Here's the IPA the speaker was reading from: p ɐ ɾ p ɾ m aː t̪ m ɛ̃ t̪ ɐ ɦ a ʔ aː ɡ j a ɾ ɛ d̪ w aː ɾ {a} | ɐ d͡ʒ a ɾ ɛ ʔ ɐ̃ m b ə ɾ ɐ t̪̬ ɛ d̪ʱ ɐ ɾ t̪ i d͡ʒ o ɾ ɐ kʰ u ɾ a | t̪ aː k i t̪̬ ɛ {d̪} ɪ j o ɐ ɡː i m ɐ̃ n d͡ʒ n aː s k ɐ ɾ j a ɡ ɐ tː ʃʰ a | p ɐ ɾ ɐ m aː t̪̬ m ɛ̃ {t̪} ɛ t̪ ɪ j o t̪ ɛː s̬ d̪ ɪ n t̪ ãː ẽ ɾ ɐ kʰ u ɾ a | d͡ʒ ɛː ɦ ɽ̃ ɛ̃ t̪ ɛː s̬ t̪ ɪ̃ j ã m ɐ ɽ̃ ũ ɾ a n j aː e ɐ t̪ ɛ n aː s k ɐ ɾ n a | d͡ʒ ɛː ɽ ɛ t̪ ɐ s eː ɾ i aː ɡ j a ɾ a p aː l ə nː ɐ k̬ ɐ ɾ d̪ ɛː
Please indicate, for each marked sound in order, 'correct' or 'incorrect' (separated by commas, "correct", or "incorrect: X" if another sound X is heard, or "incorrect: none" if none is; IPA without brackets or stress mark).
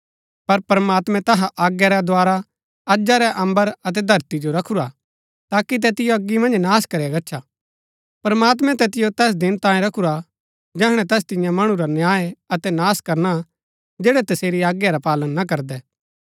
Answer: correct, incorrect: t̪, correct